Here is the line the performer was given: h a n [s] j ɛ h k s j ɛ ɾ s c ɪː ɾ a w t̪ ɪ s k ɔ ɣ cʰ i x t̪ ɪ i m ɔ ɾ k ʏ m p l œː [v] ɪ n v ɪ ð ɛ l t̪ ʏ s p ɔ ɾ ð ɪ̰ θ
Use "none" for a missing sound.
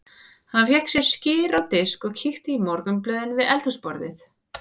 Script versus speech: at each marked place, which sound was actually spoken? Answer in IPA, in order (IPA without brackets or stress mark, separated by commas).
f, ð